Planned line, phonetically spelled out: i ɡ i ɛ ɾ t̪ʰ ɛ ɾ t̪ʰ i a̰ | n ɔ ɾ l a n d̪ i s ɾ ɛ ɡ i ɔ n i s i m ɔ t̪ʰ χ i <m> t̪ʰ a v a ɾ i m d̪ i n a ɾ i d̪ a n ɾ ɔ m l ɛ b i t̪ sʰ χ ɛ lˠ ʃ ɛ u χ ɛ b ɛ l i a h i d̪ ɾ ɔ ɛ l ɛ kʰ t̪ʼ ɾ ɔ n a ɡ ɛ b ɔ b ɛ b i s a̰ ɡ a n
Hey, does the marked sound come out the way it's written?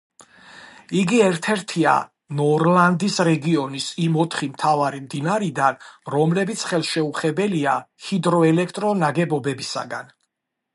yes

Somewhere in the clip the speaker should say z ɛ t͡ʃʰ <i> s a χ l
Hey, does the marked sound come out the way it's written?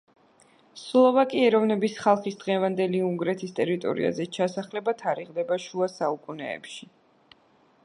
no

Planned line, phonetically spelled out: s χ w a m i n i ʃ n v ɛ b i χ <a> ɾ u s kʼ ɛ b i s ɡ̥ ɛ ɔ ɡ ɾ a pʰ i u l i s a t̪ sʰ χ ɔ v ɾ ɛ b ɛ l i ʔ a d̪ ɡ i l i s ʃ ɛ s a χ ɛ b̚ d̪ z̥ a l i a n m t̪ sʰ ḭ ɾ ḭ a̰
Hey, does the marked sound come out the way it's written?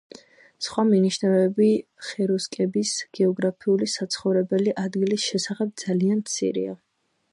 no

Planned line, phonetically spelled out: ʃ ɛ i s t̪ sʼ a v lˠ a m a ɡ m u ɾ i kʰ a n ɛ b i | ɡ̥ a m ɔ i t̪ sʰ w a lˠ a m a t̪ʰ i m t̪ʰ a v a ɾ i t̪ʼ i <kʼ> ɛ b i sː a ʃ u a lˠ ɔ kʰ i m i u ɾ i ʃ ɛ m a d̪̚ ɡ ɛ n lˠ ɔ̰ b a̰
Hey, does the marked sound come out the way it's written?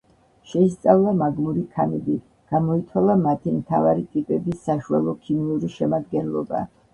no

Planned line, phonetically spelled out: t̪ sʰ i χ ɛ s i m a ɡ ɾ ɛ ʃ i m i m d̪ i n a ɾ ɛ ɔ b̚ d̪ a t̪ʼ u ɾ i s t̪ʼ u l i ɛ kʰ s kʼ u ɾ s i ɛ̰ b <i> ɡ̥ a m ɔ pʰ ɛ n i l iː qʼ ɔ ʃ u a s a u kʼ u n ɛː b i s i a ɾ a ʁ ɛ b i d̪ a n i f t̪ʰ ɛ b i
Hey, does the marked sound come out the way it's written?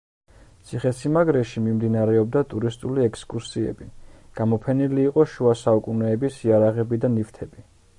yes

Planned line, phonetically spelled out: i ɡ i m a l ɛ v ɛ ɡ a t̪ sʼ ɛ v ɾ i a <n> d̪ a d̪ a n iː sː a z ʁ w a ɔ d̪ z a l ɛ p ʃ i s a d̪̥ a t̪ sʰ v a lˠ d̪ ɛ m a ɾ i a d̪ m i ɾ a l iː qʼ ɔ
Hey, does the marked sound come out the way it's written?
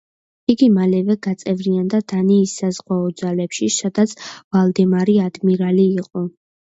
yes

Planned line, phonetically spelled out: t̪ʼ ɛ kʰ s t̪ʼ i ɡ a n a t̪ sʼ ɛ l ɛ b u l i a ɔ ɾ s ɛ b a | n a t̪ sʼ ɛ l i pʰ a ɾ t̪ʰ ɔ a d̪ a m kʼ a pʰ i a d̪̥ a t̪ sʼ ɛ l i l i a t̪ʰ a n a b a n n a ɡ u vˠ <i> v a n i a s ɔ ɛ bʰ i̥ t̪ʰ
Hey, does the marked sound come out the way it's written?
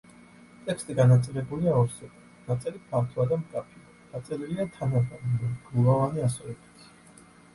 no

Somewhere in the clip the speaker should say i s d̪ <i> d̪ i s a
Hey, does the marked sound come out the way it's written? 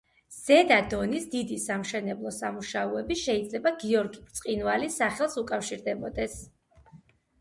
yes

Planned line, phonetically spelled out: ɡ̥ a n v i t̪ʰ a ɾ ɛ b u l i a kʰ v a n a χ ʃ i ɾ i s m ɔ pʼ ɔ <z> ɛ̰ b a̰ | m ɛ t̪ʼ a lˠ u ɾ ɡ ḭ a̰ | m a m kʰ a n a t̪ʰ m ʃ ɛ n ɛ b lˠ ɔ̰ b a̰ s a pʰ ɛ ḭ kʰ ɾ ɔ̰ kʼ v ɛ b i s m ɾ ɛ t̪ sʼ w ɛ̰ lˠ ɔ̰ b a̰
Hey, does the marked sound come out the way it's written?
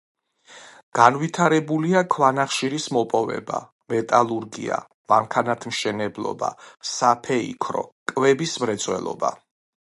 no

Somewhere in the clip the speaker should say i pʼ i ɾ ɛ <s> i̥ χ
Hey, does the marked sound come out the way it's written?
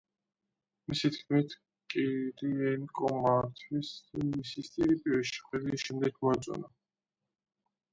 no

